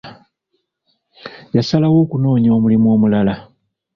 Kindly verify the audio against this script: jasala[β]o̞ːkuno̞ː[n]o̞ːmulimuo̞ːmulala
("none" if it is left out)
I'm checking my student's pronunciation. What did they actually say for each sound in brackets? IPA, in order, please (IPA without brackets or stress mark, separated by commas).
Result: w, ɲ